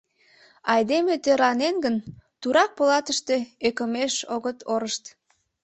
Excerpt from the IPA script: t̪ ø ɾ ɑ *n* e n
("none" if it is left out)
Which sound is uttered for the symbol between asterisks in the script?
n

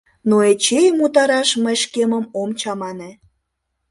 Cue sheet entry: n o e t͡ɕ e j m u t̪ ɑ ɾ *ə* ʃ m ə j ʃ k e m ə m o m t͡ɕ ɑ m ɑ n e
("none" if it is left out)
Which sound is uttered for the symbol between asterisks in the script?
ɑ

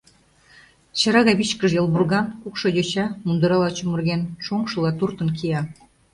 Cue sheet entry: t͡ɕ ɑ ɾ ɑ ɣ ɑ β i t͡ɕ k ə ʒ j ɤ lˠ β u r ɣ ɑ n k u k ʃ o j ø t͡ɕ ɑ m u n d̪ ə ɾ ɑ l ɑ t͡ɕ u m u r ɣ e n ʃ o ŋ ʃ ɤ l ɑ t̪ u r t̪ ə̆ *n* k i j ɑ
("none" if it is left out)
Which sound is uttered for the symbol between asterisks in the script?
n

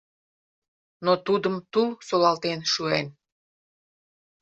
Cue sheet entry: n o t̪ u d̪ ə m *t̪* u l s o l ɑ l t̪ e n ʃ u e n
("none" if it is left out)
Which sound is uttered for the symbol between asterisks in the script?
t̪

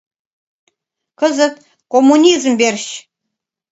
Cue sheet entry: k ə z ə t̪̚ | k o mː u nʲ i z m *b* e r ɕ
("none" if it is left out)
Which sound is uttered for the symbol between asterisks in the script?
b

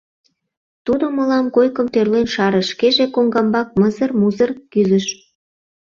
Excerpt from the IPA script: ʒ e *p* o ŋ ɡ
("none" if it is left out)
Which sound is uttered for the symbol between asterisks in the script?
k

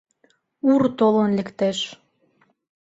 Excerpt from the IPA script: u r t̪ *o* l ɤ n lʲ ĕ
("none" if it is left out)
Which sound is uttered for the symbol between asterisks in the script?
o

